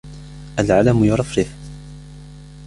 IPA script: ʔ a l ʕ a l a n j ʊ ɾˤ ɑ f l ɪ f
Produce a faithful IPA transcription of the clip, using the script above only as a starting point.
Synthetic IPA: ʔ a l ʕ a l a m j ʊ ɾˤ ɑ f ɾ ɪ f